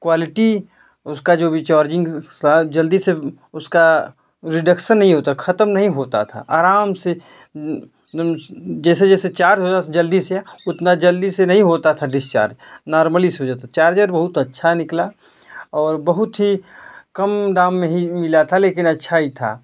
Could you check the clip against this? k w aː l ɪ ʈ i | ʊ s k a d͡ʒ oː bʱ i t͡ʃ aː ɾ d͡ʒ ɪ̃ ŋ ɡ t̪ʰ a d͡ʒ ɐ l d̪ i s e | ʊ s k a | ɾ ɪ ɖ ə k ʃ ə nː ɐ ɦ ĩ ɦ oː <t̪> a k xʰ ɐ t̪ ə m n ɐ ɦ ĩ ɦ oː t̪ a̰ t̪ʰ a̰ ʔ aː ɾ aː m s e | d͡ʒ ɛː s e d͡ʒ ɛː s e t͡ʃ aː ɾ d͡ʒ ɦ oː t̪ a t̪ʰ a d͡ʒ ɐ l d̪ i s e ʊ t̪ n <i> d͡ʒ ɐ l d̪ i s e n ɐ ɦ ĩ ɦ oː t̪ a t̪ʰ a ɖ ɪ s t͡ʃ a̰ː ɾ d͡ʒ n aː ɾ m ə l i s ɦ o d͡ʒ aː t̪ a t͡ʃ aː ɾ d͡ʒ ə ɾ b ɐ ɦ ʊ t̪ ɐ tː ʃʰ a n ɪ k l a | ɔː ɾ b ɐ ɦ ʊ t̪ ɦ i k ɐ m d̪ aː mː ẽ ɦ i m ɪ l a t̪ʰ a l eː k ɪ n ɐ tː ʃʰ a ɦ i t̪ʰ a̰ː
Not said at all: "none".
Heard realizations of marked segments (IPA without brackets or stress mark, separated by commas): t̪, a